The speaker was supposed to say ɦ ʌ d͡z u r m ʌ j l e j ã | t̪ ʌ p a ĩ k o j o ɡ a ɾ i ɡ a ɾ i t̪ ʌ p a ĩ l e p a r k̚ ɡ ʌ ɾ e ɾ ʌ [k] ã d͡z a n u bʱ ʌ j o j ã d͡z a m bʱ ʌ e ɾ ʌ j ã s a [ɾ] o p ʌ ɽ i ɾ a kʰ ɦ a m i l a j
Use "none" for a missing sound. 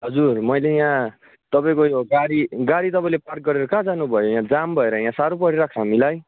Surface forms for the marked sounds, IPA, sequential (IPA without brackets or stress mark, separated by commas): k, ɾ